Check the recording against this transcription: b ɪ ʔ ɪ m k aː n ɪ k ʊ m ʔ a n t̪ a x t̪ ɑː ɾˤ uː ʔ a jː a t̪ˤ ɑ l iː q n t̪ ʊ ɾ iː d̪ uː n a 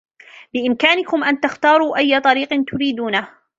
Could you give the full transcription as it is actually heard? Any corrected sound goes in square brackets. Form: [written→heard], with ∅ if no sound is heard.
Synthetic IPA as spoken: b ɪ ʔ ɪ m k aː n ɪ k ʊ m ʔ a n t̪ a x t̪ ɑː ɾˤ uː ʔ a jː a t̪ˤ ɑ [l→ɾ] iː q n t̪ ʊ ɾ iː d̪ uː n a